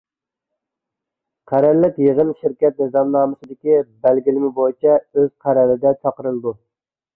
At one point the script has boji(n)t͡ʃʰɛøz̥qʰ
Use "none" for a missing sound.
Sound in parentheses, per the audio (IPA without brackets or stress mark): none